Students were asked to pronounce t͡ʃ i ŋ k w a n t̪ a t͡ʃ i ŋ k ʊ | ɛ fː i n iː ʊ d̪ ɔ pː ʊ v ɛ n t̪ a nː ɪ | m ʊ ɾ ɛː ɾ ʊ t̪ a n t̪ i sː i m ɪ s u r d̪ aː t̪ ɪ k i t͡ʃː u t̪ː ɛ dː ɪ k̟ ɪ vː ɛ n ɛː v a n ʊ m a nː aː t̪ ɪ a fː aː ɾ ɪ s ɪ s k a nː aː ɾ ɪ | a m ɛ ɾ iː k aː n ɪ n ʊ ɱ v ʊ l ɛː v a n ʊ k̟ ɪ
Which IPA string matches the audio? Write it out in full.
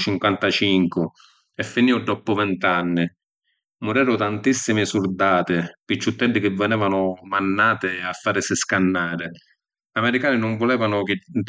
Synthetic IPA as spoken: t͡ʃ i ŋ k w a n t̪ a t͡ʃ i ŋ k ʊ | ɛ fː i n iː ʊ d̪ ɔ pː ʊ v ɛ n t̪ a nː ɪ | m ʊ ɾ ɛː ɾ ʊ t̪ a n t̪ i sː i m ɪ s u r d̪ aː t̪ ɪ p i t͡ʃː u t̪ː ɛ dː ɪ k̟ ɪ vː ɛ n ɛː v a n ʊ m a nː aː t̪ ɪ a fː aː ɾ ɪ s ɪ s k a nː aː ɾ ɪ | a m ɛ ɾ i k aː n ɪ n ʊ ɱ v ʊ l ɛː v a n ʊ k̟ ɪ